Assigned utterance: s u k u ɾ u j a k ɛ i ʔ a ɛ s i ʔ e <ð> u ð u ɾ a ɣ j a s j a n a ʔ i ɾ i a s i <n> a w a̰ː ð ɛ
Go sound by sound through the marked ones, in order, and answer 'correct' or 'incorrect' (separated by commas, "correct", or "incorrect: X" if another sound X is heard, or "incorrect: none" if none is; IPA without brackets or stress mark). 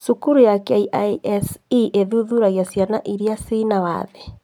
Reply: correct, correct